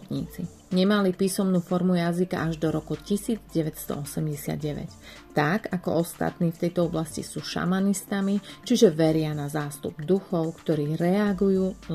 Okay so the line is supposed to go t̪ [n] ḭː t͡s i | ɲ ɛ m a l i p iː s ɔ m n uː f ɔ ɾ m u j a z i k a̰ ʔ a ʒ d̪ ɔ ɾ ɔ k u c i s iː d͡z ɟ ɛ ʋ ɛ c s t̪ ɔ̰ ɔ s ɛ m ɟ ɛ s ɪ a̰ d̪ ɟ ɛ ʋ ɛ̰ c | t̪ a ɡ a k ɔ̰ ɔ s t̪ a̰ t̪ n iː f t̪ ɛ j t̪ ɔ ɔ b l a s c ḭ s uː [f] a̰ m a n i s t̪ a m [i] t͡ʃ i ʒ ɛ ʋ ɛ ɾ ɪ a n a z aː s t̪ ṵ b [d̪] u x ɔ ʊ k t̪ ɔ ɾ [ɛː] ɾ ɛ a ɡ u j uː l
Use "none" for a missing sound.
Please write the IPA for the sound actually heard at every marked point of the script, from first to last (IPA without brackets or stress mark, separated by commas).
ɲ, ʃ, i, d̪, iː